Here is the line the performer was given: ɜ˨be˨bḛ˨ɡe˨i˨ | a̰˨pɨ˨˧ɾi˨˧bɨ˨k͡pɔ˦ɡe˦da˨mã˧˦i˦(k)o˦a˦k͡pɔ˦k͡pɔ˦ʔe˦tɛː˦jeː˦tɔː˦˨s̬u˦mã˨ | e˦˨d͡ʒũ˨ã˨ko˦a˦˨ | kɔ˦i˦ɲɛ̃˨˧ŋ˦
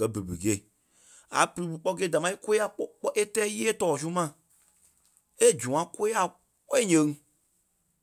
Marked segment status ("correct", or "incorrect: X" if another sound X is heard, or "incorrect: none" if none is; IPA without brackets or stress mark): correct